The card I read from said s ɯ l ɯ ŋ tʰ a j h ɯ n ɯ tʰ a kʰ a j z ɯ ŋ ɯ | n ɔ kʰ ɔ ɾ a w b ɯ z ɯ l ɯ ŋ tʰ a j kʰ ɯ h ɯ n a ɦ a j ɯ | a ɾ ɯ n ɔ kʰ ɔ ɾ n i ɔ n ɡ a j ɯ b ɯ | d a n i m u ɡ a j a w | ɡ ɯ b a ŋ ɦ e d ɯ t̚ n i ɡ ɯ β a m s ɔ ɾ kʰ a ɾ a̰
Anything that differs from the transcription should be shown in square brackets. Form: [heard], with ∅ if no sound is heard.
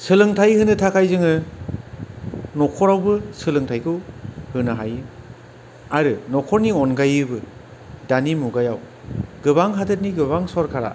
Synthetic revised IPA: s ɯ l ɯ ŋ tʰ a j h ɯ n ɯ tʰ a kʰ a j z ɯ ŋ ɯ | n ɔ kʰ ɔ ɾ a w b ɯ [s] ɯ l ɯ ŋ tʰ a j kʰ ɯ h ɯ n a ɦ a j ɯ | a ɾ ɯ n ɔ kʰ ɔ ɾ n i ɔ n ɡ a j ɯ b ɯ | d a n i m u ɡ a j a w | ɡ ɯ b a ŋ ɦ [a] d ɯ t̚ n i ɡ ɯ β a [ŋ] s ɔ ɾ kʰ a ɾ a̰